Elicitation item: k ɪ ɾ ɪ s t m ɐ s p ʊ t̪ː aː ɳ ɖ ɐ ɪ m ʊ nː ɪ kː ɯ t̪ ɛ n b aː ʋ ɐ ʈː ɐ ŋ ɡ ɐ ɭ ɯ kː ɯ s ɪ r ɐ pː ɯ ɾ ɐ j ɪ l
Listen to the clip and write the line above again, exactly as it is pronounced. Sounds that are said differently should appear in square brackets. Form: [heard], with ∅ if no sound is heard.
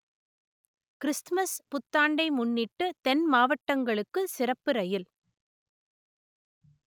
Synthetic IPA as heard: k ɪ ɾ ɪ s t m ɐ s p ʊ t̪ː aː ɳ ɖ ɐ ɪ m ʊ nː ɪ [ʈː] ɯ t̪ ɛ n [m] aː ʋ ɐ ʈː ɐ ŋ ɡ ɐ ɭ ɯ kː ɯ s ɪ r ɐ pː ɯ ɾ ɐ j ɪ l